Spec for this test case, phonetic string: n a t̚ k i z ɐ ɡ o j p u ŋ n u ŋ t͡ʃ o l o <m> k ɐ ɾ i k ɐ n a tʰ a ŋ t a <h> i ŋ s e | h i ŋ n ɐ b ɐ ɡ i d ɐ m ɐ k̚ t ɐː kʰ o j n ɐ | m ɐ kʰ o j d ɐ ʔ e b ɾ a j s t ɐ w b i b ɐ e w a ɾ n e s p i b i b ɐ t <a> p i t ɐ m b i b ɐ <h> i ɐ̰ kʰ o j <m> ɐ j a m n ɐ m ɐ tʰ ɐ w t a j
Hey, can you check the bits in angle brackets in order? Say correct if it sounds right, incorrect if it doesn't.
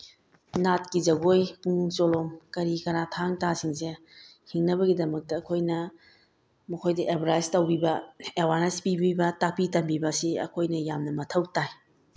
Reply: correct, incorrect: s, correct, incorrect: s, incorrect: n

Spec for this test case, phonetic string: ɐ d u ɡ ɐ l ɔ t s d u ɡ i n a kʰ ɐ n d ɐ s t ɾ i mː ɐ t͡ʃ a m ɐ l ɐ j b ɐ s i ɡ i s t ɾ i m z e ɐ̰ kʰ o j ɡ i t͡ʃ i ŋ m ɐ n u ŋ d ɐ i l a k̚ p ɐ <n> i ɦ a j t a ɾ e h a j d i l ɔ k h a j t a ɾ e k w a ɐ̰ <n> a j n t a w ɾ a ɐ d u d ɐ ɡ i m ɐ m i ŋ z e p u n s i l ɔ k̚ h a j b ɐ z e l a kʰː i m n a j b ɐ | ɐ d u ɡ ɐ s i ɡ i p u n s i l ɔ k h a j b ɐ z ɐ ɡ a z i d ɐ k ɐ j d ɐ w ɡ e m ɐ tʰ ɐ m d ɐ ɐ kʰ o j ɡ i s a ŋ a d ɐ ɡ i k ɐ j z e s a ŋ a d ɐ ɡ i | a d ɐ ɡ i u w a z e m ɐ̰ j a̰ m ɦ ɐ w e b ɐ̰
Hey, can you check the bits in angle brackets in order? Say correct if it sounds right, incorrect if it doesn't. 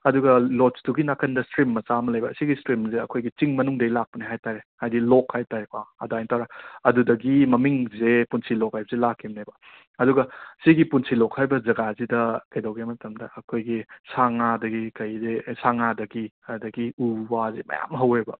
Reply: correct, incorrect: d

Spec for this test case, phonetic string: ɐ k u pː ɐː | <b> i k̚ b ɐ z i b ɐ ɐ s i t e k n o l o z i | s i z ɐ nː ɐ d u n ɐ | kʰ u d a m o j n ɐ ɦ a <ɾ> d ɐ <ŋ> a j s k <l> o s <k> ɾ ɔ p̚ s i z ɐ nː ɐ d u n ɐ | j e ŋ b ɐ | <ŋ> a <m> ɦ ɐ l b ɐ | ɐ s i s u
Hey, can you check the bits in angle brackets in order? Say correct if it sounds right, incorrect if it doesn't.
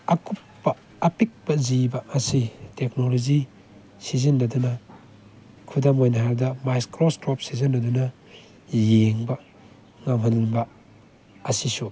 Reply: incorrect: p, correct, incorrect: m, incorrect: ɾ, incorrect: t, correct, correct

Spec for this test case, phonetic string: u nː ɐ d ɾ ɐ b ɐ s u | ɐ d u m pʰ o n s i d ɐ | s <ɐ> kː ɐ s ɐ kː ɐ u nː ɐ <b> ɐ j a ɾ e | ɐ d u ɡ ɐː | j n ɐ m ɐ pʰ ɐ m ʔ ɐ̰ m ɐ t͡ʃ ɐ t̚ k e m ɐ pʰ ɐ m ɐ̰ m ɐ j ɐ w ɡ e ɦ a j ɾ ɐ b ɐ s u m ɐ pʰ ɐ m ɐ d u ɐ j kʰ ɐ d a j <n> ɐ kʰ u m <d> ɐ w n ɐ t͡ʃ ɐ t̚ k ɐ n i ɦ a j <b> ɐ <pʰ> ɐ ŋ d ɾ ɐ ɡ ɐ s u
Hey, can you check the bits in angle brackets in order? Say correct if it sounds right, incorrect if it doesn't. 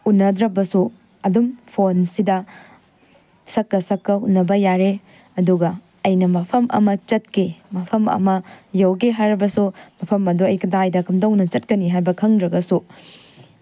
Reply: correct, correct, incorrect: d, correct, correct, incorrect: kʰ

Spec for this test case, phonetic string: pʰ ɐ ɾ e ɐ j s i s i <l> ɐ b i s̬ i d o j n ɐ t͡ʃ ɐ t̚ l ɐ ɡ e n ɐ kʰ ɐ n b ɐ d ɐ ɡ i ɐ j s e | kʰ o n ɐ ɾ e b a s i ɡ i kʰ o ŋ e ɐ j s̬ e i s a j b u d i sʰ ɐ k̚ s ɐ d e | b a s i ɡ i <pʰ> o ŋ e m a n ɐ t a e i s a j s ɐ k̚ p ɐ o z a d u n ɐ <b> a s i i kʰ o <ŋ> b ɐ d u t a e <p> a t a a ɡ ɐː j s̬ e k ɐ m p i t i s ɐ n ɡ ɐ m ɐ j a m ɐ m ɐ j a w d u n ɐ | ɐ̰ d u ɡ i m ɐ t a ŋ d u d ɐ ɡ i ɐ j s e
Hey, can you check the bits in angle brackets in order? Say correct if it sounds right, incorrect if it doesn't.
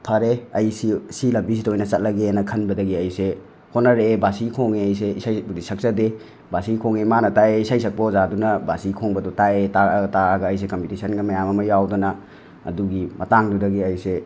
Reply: correct, incorrect: kʰ, correct, correct, incorrect: t

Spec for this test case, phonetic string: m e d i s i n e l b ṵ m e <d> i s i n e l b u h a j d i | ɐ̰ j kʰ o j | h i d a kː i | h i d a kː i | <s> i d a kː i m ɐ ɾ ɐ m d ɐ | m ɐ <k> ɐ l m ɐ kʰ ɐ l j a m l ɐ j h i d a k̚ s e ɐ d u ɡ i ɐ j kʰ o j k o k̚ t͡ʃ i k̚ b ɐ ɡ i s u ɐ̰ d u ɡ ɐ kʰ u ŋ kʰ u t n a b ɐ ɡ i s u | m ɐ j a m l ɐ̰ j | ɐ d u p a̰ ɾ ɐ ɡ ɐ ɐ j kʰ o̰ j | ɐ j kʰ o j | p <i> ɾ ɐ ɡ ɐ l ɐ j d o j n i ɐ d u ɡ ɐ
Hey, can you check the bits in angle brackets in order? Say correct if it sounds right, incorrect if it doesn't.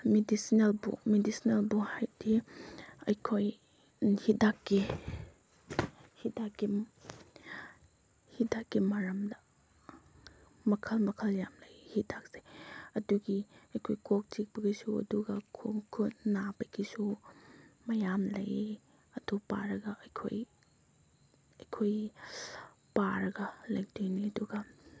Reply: correct, incorrect: h, incorrect: kʰ, incorrect: a

